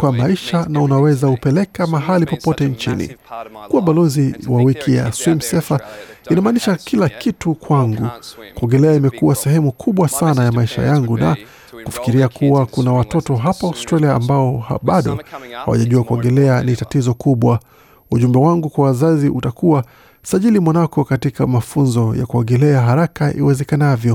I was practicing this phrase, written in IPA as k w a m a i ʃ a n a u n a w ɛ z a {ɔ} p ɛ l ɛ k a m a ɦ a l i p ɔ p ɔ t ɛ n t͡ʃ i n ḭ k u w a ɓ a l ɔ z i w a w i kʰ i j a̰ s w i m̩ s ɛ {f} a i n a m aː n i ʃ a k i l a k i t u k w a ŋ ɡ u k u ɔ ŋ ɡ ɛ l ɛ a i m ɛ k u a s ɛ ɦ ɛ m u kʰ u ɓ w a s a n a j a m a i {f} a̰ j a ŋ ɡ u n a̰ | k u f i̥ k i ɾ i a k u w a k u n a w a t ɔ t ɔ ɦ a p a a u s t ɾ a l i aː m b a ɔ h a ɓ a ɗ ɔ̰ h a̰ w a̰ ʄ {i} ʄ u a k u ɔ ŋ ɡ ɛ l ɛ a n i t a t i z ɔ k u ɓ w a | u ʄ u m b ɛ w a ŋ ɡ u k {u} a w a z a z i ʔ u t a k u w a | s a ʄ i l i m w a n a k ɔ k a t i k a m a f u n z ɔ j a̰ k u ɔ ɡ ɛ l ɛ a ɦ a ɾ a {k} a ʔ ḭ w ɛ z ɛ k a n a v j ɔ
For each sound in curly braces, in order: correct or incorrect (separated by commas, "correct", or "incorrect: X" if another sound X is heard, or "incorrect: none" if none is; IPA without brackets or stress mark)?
incorrect: u, correct, incorrect: ʃ, incorrect: a, incorrect: w, correct